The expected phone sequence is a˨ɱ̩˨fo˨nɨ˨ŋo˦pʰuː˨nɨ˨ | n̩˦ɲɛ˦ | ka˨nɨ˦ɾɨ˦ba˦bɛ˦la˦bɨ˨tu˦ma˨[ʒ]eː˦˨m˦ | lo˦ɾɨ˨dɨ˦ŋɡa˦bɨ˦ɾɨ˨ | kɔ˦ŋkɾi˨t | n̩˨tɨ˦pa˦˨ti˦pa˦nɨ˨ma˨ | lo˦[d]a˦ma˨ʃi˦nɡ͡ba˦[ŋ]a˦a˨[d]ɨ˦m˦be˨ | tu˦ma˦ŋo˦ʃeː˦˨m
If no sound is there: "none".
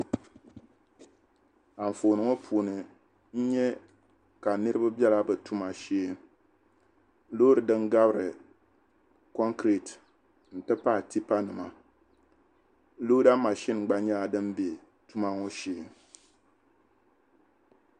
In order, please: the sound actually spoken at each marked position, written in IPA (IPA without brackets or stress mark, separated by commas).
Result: ʃ, d, ɲ, d